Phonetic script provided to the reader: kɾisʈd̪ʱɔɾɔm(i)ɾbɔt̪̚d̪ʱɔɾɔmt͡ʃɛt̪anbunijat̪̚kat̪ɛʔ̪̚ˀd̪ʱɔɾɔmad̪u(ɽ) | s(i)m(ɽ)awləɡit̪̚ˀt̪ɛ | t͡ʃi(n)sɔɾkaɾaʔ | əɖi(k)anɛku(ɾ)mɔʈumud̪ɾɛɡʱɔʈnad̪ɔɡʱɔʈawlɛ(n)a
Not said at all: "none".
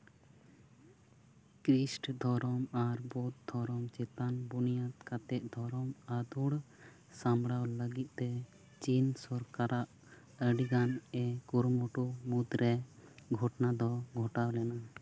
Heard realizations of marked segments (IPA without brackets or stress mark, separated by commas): a, ɽ, a, ɽ, n, ɡ, ɾ, n